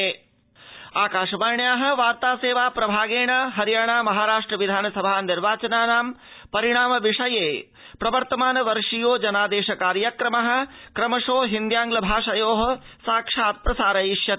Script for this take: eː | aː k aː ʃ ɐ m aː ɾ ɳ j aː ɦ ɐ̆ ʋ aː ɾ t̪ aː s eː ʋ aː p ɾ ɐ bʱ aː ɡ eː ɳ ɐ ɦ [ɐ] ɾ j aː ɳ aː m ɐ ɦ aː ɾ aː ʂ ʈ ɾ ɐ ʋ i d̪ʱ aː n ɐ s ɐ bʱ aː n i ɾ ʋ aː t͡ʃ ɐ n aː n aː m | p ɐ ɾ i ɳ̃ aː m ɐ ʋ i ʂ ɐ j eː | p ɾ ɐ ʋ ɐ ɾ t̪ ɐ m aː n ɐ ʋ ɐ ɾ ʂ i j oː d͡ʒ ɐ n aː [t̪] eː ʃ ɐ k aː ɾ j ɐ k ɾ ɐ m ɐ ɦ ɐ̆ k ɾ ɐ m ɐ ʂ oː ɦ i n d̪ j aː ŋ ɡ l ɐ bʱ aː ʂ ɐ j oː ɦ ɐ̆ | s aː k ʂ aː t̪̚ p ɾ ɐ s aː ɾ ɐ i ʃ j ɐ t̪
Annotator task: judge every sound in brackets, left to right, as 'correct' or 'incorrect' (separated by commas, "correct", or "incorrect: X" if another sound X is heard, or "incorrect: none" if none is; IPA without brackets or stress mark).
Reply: correct, incorrect: d̪